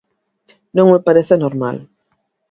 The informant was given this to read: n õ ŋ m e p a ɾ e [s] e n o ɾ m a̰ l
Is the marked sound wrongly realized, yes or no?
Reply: yes